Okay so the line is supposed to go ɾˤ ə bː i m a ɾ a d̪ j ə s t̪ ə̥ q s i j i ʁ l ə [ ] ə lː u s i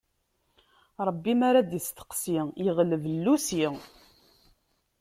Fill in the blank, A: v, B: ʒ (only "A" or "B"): A